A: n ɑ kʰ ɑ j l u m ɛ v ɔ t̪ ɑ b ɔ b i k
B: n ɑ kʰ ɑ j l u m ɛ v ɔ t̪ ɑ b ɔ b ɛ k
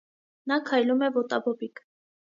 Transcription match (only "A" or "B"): A